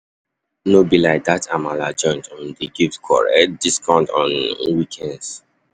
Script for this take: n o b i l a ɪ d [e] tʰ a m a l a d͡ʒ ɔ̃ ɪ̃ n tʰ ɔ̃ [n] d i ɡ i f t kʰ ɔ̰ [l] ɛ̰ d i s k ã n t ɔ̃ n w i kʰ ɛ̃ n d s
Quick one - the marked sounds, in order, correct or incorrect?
incorrect: a, correct, incorrect: ɹ

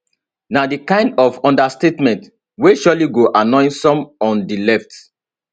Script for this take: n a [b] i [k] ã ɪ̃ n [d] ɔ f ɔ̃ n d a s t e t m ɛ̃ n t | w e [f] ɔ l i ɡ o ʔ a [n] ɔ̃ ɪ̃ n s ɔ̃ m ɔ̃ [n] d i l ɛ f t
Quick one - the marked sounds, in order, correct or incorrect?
incorrect: d, correct, correct, incorrect: ʃ, correct, correct

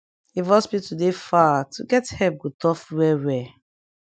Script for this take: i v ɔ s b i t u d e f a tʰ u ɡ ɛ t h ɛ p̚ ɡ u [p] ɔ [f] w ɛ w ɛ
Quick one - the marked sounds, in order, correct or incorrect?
incorrect: t, correct

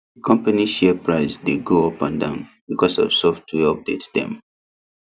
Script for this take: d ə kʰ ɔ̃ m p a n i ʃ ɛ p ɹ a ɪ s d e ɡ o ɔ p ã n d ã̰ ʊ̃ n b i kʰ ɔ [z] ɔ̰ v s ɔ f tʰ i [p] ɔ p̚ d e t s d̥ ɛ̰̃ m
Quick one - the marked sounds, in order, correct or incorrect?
incorrect: s, incorrect: none

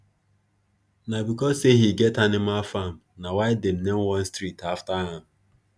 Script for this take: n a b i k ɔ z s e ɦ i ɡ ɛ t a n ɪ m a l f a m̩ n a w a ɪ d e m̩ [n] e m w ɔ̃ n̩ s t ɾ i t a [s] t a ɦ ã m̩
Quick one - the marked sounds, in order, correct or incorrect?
correct, incorrect: f

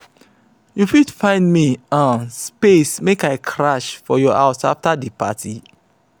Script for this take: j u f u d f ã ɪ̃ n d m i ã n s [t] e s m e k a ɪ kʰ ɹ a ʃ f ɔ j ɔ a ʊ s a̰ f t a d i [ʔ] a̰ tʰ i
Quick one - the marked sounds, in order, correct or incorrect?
incorrect: p, incorrect: p

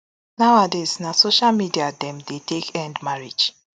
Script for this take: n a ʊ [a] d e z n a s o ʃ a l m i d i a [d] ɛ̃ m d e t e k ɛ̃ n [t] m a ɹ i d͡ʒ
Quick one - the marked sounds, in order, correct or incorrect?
correct, correct, incorrect: d

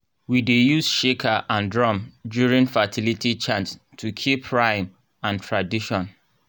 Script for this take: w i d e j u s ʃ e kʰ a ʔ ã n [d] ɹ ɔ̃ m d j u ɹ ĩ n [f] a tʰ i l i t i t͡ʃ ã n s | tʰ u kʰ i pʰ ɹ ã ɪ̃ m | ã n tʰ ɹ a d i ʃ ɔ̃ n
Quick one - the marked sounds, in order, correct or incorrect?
correct, correct

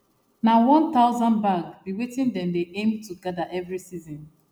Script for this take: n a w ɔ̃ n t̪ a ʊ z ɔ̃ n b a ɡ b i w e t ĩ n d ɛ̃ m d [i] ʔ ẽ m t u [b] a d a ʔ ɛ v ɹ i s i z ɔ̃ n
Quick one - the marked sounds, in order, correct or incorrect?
incorrect: e, incorrect: ɡ

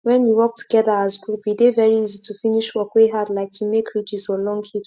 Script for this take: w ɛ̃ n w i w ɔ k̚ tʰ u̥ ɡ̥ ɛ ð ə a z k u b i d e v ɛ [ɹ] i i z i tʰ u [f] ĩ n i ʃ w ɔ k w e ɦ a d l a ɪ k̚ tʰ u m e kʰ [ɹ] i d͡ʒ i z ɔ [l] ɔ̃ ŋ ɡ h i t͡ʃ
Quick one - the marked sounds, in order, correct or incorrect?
correct, correct, correct, correct

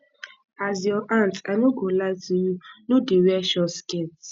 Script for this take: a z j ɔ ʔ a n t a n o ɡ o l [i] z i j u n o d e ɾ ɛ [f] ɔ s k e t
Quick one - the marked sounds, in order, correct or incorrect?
incorrect: a, incorrect: ʃ

